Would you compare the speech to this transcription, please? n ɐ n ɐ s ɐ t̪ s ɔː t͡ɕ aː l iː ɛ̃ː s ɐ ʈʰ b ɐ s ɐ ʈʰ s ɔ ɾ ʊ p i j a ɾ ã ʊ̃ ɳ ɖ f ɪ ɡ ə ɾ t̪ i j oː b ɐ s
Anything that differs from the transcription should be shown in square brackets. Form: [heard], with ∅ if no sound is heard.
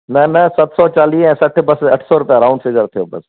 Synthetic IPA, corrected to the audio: n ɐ n ɐ s ɐ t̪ s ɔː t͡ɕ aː l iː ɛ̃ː s ɐ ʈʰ b ɐ s ɐ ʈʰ s ɔ ɾ ʊ p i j a ɾ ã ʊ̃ ɳ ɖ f ɪ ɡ ə ɾ [t̪ʰ] i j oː b ɐ s